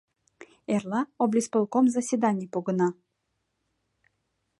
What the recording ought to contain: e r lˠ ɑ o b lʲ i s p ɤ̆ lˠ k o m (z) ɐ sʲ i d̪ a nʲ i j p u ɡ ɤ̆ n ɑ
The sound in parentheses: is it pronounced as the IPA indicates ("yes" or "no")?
yes